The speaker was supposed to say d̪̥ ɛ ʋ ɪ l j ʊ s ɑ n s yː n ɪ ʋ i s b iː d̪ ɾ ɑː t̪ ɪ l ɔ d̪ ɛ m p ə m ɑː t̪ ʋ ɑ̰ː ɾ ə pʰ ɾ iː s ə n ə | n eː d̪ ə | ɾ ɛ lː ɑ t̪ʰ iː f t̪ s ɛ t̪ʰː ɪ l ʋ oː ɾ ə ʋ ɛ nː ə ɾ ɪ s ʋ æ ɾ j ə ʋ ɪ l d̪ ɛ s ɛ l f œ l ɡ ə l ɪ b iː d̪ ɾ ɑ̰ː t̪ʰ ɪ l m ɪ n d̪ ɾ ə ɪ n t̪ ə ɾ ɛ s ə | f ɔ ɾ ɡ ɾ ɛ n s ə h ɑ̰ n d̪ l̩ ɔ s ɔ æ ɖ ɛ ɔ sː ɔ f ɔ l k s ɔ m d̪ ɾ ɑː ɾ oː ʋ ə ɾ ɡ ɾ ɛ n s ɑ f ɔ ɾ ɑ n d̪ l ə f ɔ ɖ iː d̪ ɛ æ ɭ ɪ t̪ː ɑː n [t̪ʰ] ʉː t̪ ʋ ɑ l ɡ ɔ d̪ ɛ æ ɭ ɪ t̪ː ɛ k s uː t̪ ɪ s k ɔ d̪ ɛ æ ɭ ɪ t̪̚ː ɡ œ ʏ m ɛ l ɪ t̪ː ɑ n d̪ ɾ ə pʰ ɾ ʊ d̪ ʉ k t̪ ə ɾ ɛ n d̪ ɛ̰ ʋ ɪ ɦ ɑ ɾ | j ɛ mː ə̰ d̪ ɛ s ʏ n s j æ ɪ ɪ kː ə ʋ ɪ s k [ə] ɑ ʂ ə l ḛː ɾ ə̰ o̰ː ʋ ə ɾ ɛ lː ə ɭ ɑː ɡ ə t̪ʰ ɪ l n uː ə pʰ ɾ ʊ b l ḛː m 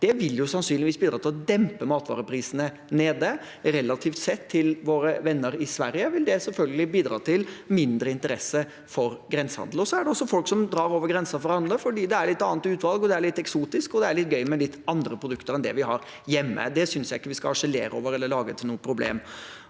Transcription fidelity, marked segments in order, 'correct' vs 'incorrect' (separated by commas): incorrect, incorrect